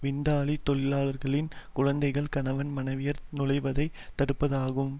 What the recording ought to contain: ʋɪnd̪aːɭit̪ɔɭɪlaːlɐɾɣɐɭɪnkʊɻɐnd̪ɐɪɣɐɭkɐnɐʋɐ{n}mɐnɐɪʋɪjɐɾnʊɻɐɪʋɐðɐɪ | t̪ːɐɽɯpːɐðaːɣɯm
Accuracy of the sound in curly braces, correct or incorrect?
correct